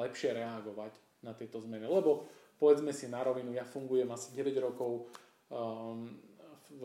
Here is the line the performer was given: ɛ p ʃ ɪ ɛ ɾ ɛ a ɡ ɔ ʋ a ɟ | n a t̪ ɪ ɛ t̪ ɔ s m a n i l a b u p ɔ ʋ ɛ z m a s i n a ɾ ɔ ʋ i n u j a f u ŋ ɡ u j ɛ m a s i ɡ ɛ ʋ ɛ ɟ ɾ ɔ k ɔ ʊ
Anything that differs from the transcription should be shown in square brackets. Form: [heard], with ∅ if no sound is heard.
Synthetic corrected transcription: ɛ p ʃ ɪ ɛ ɾ ɛ a ɡ ɔ ʋ a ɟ | n a t̪ ɪ ɛ t̪ ɔ [z] m [ɛ] n i l [ɛ] b [ɔ] p ɔ ʋ ɛ [d͡z] m [ɛ] s i n a ɾ ɔ ʋ i n u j a f u ŋ ɡ u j ɛ m a s i [ɟ] ɛ ʋ ɛ ɟ ɾ ɔ k ɔ ʊ